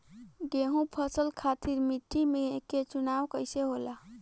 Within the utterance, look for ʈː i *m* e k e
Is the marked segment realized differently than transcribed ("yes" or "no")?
no